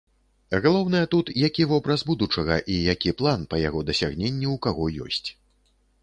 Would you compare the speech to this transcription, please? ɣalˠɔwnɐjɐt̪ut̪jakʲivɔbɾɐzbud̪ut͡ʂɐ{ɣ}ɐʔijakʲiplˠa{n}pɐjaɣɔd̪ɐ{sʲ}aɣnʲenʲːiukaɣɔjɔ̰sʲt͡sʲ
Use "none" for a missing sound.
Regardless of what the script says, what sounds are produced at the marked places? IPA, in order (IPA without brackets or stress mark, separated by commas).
ɣ, n, sʲ